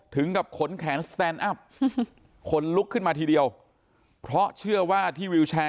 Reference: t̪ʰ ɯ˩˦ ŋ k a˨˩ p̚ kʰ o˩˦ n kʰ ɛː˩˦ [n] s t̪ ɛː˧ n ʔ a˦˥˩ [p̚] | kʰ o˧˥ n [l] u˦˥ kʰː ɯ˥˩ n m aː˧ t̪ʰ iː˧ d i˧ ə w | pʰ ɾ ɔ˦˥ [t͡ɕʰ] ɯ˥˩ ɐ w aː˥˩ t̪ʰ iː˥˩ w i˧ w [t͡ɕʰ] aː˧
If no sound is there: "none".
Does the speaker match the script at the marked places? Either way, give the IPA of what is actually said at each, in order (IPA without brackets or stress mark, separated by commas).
n, p̚, l, t͡ɕʰ, t͡ɕʰ